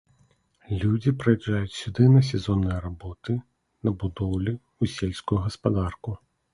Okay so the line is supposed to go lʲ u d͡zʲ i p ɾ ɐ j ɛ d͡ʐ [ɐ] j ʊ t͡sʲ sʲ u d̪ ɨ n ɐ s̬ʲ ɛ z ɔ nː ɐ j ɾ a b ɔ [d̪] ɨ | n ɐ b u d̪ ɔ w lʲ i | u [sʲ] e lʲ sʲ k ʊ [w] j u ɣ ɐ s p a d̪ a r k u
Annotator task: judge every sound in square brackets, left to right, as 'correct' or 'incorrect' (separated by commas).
incorrect, incorrect, correct, incorrect